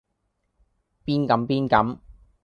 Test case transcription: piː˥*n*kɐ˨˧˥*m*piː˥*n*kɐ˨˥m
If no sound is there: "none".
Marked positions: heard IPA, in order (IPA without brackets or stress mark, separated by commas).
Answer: n, m, n